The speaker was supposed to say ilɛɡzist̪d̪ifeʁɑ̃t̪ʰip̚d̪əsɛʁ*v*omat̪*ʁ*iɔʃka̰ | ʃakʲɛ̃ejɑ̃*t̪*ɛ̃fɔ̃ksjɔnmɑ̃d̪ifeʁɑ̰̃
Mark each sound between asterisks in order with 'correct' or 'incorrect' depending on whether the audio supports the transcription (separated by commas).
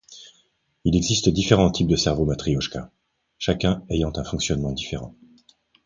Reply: correct, incorrect, correct